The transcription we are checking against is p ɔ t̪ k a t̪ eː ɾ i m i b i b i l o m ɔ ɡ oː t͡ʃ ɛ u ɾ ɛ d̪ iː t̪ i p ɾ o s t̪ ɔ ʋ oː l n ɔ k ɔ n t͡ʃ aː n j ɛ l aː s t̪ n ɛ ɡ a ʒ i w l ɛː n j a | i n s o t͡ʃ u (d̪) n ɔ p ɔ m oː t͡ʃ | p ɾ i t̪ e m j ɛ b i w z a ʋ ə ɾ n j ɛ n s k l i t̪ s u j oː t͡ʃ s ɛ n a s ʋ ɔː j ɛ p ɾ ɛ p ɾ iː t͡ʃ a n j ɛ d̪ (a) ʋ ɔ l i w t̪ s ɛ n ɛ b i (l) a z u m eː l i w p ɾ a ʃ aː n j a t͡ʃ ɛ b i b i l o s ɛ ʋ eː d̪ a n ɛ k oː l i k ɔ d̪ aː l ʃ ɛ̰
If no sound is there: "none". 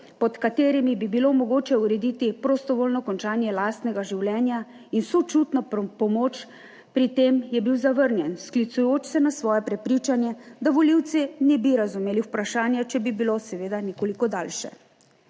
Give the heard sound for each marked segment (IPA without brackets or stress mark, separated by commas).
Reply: t̪, a, ɾ